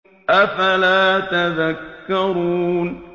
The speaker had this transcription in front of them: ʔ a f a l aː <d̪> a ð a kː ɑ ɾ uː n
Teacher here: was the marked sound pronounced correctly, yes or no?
no